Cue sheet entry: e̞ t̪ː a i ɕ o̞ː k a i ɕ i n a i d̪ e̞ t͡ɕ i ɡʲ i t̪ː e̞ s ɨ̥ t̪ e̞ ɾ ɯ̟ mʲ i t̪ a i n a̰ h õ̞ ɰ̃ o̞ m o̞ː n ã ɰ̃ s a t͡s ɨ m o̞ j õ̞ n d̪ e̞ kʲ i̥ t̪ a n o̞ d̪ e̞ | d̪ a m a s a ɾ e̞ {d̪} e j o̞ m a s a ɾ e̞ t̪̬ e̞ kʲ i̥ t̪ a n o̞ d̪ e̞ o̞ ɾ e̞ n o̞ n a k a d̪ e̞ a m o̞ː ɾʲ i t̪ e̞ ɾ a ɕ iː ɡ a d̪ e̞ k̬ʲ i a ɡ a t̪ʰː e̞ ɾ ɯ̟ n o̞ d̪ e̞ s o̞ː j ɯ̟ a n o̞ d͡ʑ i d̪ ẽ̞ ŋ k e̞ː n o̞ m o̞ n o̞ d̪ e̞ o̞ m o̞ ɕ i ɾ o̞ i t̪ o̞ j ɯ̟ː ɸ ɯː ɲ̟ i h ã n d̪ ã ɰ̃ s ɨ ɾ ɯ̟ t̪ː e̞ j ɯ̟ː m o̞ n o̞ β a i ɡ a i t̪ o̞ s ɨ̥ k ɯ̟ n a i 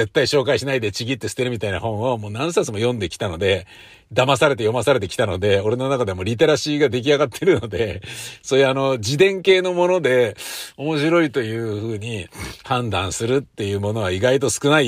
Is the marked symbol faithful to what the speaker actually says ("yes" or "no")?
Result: no